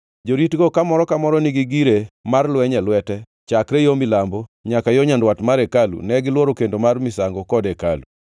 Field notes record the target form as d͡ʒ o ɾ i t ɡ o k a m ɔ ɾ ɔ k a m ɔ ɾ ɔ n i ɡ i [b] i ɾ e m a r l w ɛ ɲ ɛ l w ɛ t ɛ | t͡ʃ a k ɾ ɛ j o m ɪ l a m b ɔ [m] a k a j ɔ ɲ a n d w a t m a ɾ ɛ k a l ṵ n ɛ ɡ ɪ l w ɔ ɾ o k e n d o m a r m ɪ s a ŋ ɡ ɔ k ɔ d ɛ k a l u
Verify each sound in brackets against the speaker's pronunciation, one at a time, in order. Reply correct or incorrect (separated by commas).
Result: incorrect, incorrect